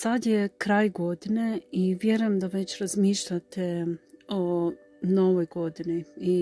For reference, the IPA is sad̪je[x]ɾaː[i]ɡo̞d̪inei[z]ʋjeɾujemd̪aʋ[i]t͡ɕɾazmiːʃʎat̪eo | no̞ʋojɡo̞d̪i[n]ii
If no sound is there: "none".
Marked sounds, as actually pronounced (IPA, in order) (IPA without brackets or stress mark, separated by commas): k, j, none, e, n